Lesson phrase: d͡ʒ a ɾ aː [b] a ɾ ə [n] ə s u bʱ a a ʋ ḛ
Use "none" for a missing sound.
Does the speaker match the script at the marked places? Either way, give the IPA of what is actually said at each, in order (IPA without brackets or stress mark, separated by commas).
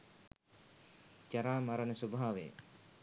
m, n